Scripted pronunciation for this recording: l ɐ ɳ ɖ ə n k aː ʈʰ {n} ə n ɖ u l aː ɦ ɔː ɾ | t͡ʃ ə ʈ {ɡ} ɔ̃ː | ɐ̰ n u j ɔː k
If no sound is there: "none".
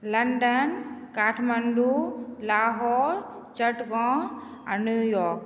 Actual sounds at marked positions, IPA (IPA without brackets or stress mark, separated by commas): m, ɡ